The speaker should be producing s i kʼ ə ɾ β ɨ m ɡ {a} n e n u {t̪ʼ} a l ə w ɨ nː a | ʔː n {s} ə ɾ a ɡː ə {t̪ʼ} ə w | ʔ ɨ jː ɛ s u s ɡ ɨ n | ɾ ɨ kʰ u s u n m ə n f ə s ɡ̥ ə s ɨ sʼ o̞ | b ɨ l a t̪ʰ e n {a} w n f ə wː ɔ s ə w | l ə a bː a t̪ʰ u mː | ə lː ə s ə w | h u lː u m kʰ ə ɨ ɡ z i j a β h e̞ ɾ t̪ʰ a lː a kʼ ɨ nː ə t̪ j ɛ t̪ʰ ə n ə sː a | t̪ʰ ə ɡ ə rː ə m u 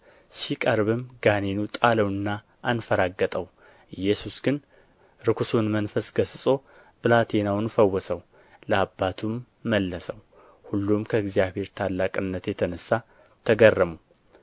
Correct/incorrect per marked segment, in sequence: correct, correct, incorrect, correct, correct

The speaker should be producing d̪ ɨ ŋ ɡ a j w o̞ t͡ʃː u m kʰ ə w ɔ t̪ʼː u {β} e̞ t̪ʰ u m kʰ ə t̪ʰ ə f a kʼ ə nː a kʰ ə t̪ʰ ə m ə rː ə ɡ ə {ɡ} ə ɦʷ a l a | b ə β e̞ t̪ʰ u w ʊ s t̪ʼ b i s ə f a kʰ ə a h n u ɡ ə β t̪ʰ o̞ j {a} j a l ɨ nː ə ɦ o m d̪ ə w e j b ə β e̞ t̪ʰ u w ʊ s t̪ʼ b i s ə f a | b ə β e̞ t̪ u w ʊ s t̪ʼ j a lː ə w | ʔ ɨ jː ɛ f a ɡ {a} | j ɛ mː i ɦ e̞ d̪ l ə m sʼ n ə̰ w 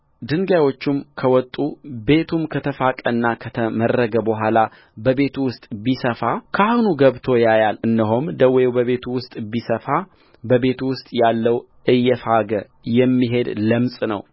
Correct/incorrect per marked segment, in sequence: incorrect, incorrect, correct, incorrect

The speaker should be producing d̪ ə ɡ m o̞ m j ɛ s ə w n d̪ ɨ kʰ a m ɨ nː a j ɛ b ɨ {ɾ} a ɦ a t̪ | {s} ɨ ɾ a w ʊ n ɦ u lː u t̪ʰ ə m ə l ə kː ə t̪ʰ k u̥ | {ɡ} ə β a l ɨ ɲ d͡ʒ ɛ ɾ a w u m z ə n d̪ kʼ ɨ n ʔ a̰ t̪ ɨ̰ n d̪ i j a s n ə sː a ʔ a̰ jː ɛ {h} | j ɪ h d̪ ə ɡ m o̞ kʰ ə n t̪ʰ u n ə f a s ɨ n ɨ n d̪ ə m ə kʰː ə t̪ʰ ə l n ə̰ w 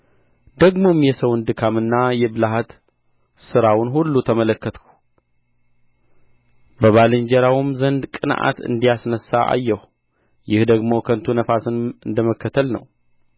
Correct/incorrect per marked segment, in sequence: incorrect, correct, incorrect, correct

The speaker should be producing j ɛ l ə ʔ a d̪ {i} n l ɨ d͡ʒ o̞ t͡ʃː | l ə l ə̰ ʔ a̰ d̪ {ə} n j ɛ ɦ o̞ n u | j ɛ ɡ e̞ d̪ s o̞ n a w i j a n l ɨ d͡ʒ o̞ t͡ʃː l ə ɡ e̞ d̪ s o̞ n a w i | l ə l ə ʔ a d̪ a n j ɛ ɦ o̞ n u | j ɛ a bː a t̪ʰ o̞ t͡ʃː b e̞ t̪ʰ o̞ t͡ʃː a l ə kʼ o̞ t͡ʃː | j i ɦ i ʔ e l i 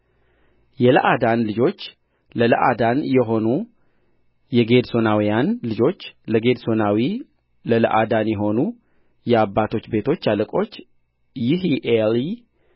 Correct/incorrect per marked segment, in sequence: incorrect, incorrect

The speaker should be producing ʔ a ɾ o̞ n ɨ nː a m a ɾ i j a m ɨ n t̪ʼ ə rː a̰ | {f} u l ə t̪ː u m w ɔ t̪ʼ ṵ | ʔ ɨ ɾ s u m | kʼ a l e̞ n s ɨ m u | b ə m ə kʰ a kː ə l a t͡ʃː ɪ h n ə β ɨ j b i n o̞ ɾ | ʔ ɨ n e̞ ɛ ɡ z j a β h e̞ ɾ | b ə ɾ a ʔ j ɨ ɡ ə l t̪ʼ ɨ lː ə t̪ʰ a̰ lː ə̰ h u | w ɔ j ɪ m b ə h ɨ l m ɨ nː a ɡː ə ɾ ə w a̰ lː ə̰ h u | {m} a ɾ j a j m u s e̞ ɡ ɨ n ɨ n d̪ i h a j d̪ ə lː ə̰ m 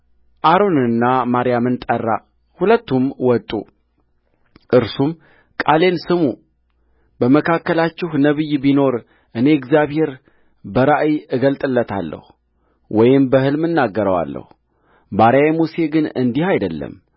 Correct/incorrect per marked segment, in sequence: incorrect, incorrect

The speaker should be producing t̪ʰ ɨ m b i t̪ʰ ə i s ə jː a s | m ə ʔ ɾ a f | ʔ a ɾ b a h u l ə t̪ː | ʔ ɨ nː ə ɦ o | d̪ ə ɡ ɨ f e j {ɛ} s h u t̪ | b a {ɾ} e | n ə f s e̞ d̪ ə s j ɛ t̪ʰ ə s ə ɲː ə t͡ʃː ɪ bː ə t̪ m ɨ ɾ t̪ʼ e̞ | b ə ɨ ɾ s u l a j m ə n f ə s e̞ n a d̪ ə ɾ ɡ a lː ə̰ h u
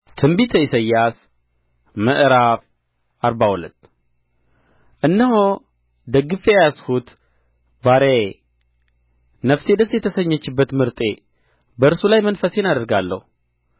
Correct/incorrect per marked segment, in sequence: incorrect, correct

